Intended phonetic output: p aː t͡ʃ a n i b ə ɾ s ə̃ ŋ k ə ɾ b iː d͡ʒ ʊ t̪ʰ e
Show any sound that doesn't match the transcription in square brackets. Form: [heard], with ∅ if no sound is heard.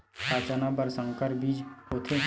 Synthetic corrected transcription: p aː t͡ʃ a n [a] b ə ɾ s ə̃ ŋ k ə ɾ b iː d͡ʒ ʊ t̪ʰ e